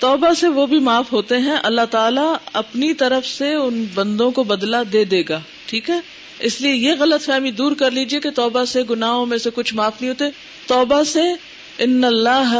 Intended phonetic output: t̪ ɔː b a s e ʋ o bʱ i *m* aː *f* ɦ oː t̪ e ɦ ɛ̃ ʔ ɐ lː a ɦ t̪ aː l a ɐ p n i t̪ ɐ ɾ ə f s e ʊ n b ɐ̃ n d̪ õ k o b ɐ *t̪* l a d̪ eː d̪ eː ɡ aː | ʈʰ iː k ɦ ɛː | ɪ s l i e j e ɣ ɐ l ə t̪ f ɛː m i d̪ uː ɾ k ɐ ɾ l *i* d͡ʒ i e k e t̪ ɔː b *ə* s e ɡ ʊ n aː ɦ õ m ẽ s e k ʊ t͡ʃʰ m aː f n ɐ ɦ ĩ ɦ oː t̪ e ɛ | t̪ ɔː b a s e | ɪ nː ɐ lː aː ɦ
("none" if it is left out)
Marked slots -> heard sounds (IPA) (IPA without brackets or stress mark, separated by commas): m, f, d̪, iː, a